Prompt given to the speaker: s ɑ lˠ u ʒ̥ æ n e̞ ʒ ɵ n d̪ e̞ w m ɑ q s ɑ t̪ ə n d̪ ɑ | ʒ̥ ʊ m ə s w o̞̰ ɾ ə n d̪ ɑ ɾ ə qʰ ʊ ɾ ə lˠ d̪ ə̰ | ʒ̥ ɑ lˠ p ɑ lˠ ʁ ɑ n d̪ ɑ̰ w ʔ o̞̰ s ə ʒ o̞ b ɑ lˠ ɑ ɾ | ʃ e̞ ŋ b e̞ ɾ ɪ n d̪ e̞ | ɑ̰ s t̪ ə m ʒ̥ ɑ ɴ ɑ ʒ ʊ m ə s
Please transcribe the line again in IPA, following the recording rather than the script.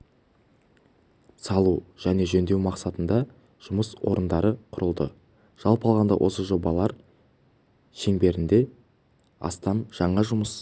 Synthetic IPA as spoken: s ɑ lˠ u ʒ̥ æ n e̞ ʒ ɵ n d̪ e̞ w m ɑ q s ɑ t̪ ə n d̪ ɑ | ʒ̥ ʊ m ə s w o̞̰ ɾ ə n d̪ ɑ ɾ ə qʰ ʊ ɾ ə lˠ d̪ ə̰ | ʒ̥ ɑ lˠ p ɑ lˠ ʁ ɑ n d̪ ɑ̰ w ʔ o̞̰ s ə ʒ o̞ b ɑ lˠ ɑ ɾ | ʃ e̞ ŋ b e̞ ɾ ɪ n d̪ e̞ | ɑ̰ s t̪ ɑ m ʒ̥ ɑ ɴ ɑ ʒ ʊ m ə s